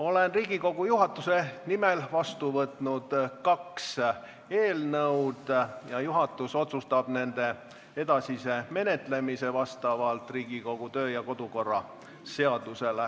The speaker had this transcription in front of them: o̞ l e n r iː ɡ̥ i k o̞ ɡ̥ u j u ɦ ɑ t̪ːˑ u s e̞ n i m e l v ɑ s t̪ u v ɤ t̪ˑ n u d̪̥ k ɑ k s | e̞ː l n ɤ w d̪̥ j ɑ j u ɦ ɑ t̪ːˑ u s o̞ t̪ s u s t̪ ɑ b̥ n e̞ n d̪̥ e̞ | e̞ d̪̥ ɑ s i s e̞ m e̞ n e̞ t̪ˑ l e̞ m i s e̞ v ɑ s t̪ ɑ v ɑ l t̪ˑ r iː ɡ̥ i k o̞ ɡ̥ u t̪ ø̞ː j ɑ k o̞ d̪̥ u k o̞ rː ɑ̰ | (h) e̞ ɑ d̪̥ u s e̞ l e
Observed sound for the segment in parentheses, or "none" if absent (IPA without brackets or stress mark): s